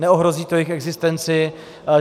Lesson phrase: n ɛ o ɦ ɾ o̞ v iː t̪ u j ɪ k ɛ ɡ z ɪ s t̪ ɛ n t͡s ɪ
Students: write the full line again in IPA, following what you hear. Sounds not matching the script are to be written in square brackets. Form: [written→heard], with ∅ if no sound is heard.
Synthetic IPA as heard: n ɛ o ɦ ɾ o̞ [v→z] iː t̪ [u→o] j ɪ [k→x] ɛ ɡ z ɪ s t̪ ɛ n t͡s ɪ